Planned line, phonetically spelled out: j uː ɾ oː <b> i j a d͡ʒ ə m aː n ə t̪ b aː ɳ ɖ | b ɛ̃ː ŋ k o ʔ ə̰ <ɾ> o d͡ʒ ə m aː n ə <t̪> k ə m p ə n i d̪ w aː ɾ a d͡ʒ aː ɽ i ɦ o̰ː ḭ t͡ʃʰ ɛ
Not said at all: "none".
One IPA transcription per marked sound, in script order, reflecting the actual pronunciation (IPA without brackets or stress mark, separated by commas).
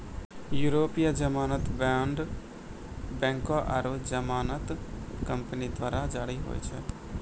p, ɾ, t̪